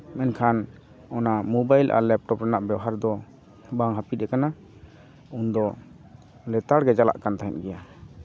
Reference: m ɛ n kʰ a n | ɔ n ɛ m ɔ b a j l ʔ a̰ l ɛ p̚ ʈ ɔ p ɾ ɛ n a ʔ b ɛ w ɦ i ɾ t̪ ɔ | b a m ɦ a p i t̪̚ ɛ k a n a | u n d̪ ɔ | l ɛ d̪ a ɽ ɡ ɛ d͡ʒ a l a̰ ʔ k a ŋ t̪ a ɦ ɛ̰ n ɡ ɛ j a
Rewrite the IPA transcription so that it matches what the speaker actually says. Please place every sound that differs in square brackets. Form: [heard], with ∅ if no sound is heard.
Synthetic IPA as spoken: m ɛ n kʰ a n | ɔ n [a] m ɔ b a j l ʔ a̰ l ɛ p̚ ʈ ɔ p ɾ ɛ n a ʔ b ɛ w ɦ [a] ɾ [d̪] ɔ | b a [ŋ] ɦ a p i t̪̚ ɛ k a n a | u n d̪ ɔ | l ɛ [t̪] a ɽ ɡ ɛ d͡ʒ a l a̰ ʔ k a [n] t̪ a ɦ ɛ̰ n ɡ ɛ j a